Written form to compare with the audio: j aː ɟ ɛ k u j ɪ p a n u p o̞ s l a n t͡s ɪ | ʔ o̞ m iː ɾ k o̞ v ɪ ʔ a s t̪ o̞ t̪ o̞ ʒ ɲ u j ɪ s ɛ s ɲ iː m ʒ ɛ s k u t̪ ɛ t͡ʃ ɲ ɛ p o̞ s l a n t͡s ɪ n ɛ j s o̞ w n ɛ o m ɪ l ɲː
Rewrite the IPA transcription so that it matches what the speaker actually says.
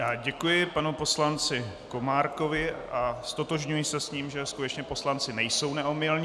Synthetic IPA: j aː ɟ ɛ k u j ɪ p a n u p o̞ s l a n t͡s ɪ | k o̞ m aː ɾ k o̞ v ɪ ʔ a s t̪ o̞ t̪ o̞ ʒ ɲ u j ɪ s ɛ s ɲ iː m ʒ ɛ s k u t̪ ɛ t͡ʃ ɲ ɛ p o̞ s l a n t͡s ɪ n ɛ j s o̞ w n ɛ o m ɪ l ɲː